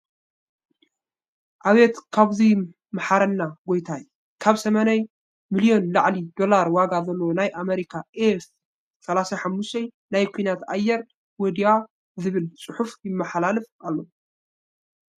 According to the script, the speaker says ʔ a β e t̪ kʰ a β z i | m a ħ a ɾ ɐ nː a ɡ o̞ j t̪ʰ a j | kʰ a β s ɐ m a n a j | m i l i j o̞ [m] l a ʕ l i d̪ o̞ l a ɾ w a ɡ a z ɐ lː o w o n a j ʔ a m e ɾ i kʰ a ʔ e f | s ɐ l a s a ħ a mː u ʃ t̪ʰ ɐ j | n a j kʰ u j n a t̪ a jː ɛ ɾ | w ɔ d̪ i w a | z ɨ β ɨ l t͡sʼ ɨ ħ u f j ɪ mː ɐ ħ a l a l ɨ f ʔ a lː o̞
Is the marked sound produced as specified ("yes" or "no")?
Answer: no